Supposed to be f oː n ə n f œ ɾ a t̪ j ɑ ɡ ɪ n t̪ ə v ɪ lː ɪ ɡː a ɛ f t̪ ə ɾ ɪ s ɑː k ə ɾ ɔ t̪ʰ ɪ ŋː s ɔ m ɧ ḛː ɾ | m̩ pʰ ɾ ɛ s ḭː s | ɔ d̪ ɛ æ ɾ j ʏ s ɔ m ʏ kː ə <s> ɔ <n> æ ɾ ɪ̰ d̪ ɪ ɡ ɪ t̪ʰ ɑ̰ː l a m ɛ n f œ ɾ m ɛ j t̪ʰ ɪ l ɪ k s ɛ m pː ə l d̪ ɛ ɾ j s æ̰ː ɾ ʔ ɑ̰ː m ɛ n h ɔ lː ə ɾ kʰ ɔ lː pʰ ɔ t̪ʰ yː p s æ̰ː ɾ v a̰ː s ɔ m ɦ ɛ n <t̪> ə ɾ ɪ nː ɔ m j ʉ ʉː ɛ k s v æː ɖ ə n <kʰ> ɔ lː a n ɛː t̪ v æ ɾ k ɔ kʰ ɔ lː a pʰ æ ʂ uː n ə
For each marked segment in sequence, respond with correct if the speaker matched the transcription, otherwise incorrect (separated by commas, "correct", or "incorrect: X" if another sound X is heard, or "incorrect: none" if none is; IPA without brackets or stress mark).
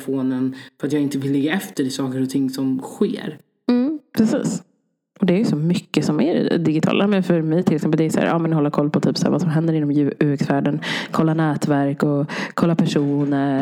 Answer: correct, incorrect: m, incorrect: d̪, correct